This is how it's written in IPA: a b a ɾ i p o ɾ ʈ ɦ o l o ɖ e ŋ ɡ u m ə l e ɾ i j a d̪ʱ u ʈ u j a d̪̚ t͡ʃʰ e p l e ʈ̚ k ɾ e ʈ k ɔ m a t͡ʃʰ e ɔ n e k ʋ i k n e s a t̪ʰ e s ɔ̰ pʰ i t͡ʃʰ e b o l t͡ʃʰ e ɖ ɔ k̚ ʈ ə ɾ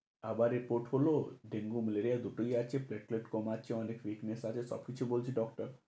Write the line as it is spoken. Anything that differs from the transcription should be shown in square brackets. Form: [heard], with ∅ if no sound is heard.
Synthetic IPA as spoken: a b a ɾ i p o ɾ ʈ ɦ o l o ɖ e ŋ ɡ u m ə l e ɾ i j a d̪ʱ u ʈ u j a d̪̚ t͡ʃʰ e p l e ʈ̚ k [l] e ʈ k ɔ m a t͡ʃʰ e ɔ n e k ʋ i k n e s a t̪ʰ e s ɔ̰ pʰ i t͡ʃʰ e b o l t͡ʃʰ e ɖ ɔ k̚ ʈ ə ɾ

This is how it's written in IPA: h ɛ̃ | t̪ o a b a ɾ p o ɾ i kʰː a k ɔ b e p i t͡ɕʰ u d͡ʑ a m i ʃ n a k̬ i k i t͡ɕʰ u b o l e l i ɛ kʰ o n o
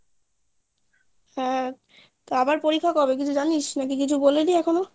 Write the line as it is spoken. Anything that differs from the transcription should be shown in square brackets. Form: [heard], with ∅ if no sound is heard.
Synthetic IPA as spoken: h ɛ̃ | t̪ o a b a ɾ p o ɾ i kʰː a k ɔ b e [k] i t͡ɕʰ u d͡ʑ a [n] i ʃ n a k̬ i k i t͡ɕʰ u b o l e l i ɛ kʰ o n o

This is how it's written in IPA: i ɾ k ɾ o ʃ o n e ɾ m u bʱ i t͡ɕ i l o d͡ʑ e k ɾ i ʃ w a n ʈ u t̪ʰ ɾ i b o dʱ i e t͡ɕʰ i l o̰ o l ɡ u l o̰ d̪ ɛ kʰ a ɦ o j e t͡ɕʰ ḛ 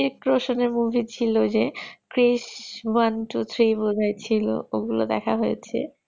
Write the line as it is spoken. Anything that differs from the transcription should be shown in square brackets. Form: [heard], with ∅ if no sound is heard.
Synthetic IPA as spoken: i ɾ k ɾ o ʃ o n e ɾ m u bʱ i [t͡ɕʰ] i l o d͡ʑ e k ɾ i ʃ w a n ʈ u t̪ʰ ɾ i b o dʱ [a] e t͡ɕʰ i l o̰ o [∅] ɡ u l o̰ d̪ ɛ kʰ a ɦ o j e t͡ɕʰ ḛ

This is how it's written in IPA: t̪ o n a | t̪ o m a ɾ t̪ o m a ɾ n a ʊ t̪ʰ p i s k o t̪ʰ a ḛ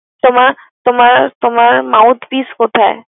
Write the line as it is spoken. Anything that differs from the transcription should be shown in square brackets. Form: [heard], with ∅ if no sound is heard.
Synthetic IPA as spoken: t̪ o [m] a | t̪ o m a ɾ t̪ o m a ɾ [m] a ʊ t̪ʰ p i s k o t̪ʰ a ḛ

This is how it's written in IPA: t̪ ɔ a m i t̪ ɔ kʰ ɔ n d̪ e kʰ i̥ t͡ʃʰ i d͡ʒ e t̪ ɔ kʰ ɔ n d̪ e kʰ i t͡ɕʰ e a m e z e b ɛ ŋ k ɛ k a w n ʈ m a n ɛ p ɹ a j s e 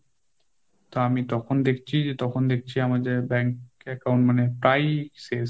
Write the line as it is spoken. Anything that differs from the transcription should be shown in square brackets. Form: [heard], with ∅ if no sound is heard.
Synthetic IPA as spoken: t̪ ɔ a m i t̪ ɔ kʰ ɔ n d̪ e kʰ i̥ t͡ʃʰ i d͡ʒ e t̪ ɔ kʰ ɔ n d̪ e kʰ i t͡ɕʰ [i] a m [a] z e b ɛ ŋ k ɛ k a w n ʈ m a n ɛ p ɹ a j s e

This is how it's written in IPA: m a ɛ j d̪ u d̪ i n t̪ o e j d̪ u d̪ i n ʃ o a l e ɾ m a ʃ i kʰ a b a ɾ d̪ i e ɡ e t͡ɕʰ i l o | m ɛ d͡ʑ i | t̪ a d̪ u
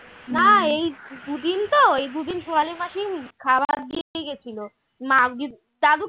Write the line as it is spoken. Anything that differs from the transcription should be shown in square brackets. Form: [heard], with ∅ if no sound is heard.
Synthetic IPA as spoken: [n] a [e] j d̪ u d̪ i n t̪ o e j d̪ u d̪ i n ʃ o a l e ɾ m a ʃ i kʰ a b a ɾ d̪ i e ɡ e t͡ɕʰ i l o | m [a] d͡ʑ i | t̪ a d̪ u

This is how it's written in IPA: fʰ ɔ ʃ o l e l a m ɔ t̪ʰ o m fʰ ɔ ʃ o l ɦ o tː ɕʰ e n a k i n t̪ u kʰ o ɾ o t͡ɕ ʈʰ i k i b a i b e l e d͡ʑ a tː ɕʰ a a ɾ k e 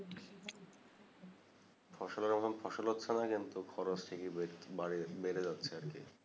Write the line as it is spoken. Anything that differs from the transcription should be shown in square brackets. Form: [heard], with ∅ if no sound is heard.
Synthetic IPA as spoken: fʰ ɔ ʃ o l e [ɾ] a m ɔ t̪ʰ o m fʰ ɔ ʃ o l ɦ o tː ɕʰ e n a k i n t̪ u kʰ [ɔ] ɾ o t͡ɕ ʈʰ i k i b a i b e [ɾ] e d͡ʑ a tː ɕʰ [e] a ɾ k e

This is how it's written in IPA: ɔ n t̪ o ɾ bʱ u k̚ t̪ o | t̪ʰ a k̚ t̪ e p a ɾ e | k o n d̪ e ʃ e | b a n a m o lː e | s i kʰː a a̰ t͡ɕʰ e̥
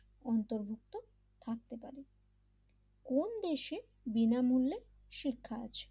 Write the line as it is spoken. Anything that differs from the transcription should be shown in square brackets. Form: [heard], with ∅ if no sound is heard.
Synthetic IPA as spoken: ɔ n t̪ o ɾ bʱ u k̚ t̪ o | t̪ʰ a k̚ t̪ e p a ɾ e | k o n d̪ e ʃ e | b [i] n a m [u] lː e | [ʃ] i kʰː a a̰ t͡ɕʰ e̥

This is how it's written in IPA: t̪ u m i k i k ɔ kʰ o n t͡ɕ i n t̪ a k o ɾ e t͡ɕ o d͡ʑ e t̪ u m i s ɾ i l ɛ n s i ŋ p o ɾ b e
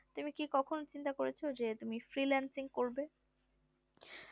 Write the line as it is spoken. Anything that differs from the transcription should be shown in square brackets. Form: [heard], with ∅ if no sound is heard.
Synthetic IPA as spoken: t̪ u m i k i k ɔ kʰ o n t͡ɕ i n t̪ a k o ɾ e [t͡ɕʰ] o d͡ʑ e t̪ u m i [f] ɾ i l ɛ n s i ŋ [k] o ɾ b e

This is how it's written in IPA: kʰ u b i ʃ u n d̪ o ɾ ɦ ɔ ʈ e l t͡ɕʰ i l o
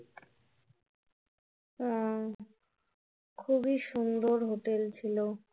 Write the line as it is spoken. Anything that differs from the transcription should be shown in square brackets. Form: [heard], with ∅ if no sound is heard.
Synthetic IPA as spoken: kʰ u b i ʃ u n d̪ o ɾ ɦ [o] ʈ e l t͡ɕʰ i l o

